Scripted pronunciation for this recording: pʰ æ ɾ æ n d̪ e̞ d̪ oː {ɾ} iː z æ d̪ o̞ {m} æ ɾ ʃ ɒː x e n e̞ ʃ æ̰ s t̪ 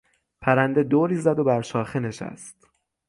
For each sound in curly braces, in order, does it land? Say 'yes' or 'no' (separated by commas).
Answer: yes, no